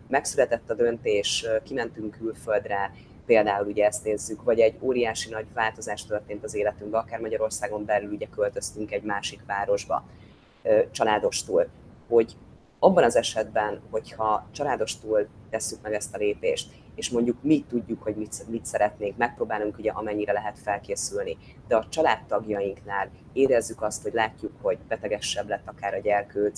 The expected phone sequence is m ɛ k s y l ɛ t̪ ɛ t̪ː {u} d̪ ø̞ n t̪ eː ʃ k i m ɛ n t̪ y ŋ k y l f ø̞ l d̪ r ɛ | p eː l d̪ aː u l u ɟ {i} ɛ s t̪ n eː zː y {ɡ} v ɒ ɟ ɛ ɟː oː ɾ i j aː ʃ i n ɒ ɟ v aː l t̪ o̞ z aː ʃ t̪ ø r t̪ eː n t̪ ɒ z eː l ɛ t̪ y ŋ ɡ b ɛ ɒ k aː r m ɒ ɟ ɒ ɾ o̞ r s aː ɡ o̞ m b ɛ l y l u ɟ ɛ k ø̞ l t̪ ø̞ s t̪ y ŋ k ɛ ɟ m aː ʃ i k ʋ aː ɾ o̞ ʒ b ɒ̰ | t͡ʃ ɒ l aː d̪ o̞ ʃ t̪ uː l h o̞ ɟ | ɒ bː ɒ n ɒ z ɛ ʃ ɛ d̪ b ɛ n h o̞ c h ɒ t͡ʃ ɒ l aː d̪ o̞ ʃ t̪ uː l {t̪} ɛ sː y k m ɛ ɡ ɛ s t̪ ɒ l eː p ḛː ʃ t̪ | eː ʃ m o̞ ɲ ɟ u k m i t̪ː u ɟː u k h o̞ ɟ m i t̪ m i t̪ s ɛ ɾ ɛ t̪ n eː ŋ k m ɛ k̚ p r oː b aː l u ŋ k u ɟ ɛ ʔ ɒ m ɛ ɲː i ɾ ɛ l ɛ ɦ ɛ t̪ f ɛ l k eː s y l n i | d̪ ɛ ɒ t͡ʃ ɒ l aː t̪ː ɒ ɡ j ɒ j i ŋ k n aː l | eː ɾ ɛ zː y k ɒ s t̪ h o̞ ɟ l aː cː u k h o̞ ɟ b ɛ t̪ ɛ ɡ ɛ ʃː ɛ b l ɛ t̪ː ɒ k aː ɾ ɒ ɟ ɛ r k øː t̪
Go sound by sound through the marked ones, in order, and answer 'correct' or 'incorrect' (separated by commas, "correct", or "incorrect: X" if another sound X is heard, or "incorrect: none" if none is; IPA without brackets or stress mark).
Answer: incorrect: ɒ, incorrect: ɛ, incorrect: k, correct